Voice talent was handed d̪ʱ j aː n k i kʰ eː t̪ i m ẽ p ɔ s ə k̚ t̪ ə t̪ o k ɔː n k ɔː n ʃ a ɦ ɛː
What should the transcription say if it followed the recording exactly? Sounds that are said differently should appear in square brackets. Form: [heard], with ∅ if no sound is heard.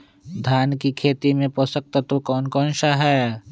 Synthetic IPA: d̪ʱ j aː n k i kʰ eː t̪ i m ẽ p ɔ s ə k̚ t̪ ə t̪ o k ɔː n k ɔː n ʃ a ɦ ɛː

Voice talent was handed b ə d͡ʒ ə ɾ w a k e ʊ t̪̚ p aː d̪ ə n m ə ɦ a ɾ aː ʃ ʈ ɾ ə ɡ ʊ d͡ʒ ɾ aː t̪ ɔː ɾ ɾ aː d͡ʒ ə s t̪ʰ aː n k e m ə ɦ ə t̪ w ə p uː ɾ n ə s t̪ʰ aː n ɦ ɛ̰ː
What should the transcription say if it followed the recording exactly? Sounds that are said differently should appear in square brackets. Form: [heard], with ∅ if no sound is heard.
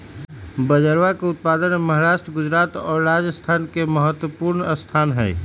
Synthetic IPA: b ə d͡ʒ ə ɾ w a k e ʊ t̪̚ p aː d̪ ə n m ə ɦ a ɾ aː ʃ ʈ ɾ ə ɡ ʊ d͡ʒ ɾ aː t̪ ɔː ɾ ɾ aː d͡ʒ ə s t̪ʰ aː n k e m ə ɦ ə t̪ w ə p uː ɾ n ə s t̪ʰ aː n ɦ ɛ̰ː

